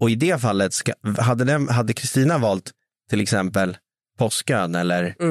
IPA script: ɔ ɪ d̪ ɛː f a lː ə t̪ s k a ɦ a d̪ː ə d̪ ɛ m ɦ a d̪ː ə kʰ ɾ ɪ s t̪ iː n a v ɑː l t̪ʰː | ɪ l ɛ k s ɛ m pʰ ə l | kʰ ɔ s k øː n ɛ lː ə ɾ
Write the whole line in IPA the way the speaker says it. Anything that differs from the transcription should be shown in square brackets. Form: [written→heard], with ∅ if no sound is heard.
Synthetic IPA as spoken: ɔ ɪ d̪ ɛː f a lː ə t̪ s k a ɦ a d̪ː ə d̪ ɛ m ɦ a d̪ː ə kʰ ɾ ɪ s t̪ iː n a v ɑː l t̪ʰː | ɪ l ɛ k s ɛ m [pʰ→p] ə l | [kʰ→pʰ] ɔ s k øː n ɛ lː ə ɾ